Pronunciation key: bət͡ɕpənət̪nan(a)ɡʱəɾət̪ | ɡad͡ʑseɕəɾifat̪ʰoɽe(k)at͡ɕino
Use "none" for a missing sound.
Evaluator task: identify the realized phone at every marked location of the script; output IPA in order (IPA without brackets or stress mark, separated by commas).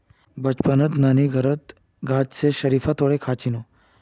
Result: i, kʰ